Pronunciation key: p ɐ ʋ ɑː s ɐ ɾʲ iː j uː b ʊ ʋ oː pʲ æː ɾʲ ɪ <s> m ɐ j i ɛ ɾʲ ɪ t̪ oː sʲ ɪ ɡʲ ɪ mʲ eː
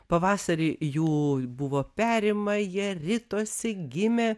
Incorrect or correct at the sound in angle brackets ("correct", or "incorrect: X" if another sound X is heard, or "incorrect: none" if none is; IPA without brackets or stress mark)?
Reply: incorrect: none